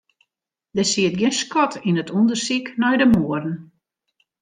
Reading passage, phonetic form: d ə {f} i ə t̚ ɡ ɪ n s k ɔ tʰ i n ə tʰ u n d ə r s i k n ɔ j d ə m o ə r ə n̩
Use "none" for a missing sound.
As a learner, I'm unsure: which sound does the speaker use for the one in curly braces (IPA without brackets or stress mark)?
s